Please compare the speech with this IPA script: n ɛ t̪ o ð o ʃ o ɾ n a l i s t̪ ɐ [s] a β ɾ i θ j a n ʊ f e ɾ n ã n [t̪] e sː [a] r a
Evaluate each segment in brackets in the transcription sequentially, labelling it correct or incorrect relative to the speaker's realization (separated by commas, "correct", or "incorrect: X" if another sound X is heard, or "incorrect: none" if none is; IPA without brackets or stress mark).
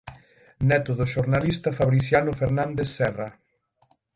incorrect: f, incorrect: d̪, incorrect: ɛ